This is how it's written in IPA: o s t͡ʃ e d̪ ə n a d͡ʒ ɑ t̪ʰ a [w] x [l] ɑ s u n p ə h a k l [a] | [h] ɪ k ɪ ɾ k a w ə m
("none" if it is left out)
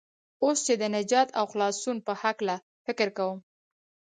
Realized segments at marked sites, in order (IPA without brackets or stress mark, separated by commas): w, l, a, f